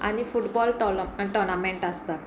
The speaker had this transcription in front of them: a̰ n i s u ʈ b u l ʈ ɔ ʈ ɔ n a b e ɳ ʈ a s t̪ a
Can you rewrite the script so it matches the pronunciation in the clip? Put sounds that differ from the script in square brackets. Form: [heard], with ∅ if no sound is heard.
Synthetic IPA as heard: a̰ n i [f] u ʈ b [ɔ] l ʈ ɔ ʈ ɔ n a [m] e ɳ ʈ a s t̪ a